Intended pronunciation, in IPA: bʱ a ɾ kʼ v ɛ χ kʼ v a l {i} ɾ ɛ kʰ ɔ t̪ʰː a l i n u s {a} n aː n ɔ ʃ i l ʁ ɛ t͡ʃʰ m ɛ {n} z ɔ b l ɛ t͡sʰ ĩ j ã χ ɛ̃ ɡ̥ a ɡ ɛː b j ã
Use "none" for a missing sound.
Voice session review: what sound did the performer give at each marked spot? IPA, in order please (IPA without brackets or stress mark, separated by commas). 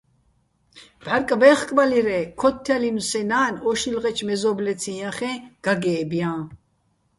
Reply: i, ɛ, none